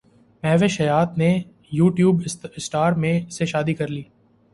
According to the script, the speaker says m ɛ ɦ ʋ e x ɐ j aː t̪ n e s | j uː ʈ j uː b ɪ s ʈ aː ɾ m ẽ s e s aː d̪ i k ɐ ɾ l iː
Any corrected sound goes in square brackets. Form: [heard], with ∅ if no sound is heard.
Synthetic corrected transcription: m ɛ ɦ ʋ e [ʃ] ɐ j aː t̪ n e [∅] | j uː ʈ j uː b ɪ s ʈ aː ɾ m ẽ s e [ʃ] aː d̪ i k ɐ ɾ l iː

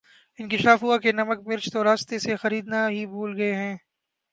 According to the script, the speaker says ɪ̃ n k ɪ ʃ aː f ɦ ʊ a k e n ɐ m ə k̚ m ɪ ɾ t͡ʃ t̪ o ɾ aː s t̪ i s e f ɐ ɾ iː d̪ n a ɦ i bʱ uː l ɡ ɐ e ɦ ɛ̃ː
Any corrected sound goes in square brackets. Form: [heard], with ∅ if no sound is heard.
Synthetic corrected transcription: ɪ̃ n k ɪ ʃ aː f ɦ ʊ a k e n ɐ m ə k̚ m ɪ ɾ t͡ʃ t̪ o ɾ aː s t̪ [e] s e [x] ɐ ɾ iː d̪ n a ɦ i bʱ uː l ɡ ɐ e ɦ ɛ̃ː

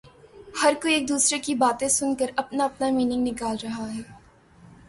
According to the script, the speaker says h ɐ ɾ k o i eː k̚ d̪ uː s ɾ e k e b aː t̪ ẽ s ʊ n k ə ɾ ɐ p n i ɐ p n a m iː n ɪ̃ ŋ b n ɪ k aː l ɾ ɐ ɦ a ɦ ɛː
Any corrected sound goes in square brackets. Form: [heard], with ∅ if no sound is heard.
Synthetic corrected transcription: h ɐ ɾ k o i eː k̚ d̪ uː s ɾ e k [i] b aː t̪ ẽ s ʊ n k ə ɾ ɐ p n [a] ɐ p n a m iː n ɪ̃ ŋ [ɡ] n ɪ k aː l ɾ ɐ ɦ a ɦ ɛː

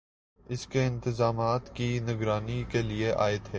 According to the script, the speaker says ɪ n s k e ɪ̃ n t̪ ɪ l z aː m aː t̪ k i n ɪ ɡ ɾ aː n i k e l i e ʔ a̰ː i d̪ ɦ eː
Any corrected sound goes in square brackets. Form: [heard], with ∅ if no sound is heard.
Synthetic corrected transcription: ɪ [∅] s k e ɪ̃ n t̪ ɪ [∅] z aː m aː t̪ k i n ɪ ɡ ɾ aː n i k e l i e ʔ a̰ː [ɪ] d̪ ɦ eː

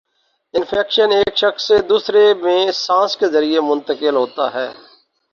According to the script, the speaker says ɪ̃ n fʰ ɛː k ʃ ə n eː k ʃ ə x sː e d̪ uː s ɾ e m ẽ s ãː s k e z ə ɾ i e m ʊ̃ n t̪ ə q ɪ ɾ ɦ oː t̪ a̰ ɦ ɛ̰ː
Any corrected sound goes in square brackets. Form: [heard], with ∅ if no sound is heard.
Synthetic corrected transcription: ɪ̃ n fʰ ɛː k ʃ ə n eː k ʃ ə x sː e d̪ uː s ɾ e m ẽ s ãː s k e z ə ɾ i e m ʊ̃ n t̪ ə [k] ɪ [l] ɦ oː t̪ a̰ ɦ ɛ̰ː

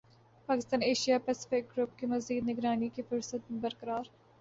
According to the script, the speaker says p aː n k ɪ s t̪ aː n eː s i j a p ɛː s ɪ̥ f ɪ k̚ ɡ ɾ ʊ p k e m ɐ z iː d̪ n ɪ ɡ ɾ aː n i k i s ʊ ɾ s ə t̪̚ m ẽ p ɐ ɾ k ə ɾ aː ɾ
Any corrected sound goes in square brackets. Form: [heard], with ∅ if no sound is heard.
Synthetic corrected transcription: p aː [∅] k ɪ s t̪ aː n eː [ʃ] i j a p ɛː s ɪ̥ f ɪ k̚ ɡ ɾ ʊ p k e m ɐ z iː d̪ n ɪ ɡ ɾ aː n i k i [f] ʊ ɾ s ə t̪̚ m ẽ [b] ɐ ɾ k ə ɾ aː ɾ

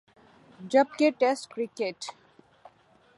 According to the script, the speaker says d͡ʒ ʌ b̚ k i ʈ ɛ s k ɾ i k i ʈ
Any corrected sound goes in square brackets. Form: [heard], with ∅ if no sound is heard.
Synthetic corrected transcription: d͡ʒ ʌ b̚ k [e] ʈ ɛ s k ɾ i k [e] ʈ

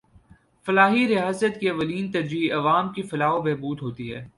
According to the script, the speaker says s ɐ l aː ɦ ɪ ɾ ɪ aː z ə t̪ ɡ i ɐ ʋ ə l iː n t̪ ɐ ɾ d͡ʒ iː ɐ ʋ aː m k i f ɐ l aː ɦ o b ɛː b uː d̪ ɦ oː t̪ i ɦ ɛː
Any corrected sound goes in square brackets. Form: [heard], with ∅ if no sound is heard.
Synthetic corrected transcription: [f] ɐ l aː ɦ [i] ɾ ɪ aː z ə t̪ [k] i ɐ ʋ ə l iː n t̪ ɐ ɾ d͡ʒ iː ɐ ʋ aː m k i f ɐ l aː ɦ o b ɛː b uː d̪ ɦ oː t̪ i ɦ ɛː

